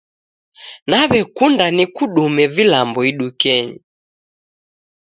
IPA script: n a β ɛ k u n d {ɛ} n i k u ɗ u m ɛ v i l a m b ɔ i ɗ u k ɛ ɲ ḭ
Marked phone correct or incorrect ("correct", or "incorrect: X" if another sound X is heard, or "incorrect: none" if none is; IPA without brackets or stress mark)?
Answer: incorrect: a